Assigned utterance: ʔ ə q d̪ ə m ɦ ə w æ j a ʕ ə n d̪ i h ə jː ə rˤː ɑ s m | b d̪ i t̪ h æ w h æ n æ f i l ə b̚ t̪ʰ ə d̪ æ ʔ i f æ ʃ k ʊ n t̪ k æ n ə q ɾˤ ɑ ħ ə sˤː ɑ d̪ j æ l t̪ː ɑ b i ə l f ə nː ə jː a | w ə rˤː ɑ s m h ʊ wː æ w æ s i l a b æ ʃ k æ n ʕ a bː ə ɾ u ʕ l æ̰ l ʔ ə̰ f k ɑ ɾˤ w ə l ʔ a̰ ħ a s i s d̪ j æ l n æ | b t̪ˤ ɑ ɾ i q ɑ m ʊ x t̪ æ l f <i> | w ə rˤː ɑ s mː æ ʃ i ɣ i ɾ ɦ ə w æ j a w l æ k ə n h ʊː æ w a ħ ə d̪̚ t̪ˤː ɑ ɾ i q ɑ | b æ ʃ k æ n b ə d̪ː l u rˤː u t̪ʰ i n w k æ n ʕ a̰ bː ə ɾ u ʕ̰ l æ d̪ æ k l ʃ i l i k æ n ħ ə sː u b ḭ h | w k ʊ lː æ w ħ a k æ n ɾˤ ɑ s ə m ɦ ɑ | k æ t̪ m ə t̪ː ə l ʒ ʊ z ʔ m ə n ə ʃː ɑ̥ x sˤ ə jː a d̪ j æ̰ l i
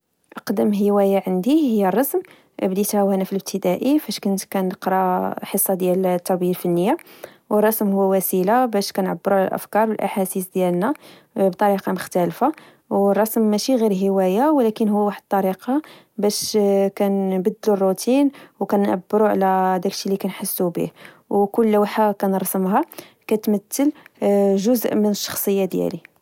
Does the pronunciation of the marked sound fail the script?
yes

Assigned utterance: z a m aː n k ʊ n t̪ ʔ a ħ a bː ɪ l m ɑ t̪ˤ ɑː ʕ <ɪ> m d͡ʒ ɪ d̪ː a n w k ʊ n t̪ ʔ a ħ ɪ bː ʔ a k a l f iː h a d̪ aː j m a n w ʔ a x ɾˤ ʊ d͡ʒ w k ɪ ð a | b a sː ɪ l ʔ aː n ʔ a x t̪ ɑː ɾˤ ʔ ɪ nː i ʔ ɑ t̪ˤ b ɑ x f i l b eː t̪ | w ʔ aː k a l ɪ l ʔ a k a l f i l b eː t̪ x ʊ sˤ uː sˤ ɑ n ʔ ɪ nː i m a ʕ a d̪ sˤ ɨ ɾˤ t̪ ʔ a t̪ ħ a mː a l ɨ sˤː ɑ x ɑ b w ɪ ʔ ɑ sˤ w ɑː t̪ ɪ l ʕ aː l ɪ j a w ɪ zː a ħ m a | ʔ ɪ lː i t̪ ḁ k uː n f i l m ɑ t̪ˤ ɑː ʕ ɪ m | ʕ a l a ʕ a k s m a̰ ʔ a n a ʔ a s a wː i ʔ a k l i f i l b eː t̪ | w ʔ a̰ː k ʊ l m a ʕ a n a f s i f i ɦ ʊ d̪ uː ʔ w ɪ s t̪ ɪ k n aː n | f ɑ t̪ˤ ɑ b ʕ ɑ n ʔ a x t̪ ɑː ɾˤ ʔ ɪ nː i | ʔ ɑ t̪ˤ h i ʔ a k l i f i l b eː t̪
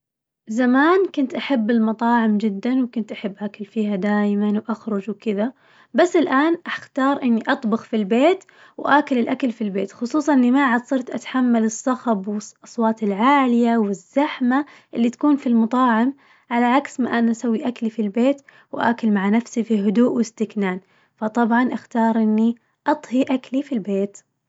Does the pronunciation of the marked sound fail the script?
no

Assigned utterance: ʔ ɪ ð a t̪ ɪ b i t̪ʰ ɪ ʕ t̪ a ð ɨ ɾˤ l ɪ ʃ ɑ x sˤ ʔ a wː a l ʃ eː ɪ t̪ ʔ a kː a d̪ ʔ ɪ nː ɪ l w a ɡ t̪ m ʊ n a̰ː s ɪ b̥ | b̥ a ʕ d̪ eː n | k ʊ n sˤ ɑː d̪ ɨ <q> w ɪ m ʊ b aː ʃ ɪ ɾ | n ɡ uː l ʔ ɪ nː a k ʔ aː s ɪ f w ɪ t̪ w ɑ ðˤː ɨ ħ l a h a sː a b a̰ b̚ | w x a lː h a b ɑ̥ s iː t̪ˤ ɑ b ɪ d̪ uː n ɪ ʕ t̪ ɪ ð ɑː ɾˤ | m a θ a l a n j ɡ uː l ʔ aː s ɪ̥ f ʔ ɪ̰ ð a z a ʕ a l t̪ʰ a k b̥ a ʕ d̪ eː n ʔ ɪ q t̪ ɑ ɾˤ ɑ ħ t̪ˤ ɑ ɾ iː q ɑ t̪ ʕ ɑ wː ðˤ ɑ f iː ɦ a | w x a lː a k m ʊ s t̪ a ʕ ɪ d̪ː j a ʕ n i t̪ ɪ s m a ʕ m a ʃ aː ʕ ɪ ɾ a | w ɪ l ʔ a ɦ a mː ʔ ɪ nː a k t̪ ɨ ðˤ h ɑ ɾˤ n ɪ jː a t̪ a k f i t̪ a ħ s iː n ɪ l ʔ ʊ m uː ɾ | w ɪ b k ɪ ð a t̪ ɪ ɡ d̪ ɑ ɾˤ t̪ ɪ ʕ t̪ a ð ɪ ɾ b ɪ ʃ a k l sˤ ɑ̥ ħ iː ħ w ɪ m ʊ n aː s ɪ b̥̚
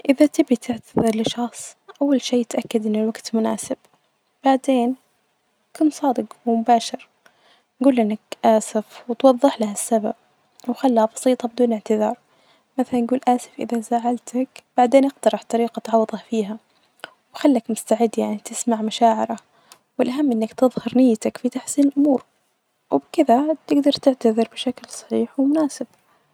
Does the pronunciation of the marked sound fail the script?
no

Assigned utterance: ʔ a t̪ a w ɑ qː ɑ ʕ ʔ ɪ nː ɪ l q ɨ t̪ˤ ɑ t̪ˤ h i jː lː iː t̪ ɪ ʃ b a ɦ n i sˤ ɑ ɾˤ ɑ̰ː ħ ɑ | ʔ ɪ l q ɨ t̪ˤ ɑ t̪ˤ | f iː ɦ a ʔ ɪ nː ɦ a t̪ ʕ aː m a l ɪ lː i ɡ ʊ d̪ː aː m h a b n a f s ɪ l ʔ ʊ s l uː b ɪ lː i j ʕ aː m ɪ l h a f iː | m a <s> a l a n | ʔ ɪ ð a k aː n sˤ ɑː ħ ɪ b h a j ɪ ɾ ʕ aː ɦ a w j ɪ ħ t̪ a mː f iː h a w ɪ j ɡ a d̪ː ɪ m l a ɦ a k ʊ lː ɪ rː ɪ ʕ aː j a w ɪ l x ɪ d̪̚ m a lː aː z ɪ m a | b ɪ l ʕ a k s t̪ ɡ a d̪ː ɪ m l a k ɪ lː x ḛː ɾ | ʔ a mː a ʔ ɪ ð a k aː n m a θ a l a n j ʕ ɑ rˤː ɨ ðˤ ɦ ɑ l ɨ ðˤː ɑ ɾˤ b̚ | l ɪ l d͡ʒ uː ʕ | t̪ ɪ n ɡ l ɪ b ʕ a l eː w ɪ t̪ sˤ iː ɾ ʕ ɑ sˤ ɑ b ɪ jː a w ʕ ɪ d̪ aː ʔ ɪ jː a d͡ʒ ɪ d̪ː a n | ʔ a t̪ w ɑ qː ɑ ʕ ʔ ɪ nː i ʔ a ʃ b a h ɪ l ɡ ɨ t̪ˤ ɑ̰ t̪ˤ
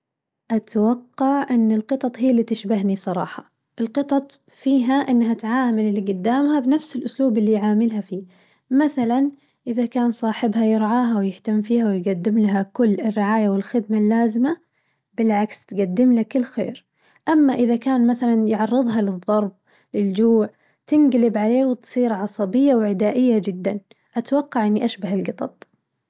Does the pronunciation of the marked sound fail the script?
yes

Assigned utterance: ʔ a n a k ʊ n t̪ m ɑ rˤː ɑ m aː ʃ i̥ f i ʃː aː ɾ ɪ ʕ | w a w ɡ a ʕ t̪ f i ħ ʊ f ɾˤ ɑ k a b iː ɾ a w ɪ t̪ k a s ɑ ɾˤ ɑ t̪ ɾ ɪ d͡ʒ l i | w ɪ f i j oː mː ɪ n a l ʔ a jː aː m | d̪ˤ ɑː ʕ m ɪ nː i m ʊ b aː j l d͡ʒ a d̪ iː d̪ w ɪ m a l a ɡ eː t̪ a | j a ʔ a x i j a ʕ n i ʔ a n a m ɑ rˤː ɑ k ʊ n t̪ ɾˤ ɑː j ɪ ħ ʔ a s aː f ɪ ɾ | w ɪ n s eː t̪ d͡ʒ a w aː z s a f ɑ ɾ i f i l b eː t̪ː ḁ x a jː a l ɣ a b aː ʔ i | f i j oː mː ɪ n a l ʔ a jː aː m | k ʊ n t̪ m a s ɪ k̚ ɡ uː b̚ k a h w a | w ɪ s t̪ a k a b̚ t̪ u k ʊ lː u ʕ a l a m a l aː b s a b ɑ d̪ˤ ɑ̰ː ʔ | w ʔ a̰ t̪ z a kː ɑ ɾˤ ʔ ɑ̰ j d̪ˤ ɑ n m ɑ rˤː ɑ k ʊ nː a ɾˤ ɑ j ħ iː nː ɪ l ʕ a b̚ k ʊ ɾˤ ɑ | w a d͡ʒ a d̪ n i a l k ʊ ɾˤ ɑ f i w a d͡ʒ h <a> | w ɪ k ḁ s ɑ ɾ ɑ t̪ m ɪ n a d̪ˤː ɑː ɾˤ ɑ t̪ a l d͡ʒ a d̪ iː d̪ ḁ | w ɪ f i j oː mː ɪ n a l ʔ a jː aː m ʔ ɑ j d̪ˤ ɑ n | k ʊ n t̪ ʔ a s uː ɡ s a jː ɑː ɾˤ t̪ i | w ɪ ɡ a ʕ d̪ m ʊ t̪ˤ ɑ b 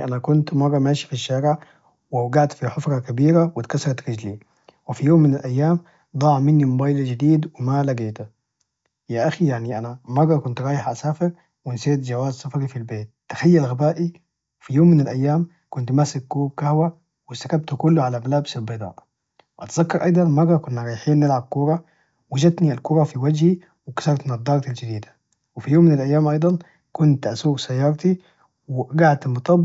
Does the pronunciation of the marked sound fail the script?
yes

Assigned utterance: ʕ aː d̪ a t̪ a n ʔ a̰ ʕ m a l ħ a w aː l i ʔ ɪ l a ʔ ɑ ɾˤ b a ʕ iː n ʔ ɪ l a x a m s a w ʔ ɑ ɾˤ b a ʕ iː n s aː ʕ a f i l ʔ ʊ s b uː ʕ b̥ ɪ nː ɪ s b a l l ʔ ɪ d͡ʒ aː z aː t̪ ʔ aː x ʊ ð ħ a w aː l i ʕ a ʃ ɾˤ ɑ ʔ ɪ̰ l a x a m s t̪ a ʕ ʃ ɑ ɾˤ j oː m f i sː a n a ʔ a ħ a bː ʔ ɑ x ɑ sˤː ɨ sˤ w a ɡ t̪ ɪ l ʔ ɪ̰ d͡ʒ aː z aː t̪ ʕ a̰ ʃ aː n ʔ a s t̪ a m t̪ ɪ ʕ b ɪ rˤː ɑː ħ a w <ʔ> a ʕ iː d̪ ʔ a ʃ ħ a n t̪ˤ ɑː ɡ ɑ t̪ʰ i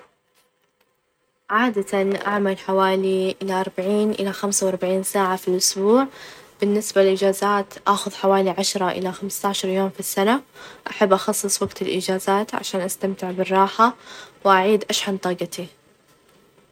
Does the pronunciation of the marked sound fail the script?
no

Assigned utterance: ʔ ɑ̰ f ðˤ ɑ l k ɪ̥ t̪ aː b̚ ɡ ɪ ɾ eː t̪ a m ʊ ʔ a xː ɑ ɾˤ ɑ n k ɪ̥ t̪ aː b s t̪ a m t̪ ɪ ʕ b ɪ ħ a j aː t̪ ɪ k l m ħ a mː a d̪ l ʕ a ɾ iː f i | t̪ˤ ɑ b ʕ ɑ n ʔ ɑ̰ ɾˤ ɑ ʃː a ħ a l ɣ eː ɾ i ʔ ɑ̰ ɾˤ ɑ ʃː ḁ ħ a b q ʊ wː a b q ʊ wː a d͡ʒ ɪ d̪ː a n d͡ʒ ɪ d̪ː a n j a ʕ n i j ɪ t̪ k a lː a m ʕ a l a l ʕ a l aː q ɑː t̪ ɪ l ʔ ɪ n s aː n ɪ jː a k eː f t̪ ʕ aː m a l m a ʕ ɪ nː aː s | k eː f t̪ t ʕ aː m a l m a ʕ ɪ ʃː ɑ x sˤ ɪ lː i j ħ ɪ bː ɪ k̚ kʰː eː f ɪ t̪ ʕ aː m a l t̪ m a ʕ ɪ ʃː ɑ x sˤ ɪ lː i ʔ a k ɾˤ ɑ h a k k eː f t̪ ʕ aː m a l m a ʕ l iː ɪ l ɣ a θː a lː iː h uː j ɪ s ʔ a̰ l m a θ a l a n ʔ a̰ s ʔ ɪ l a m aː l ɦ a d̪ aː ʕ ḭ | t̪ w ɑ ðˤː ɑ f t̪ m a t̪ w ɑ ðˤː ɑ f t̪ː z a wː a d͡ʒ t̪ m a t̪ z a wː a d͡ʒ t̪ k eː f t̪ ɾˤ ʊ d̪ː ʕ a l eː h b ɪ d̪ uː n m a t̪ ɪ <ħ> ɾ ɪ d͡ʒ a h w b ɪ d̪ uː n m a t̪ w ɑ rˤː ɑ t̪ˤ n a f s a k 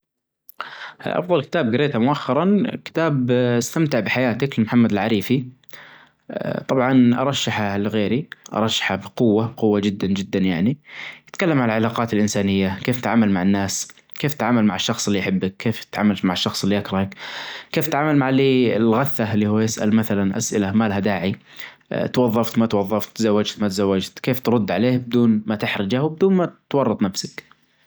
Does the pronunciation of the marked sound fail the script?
no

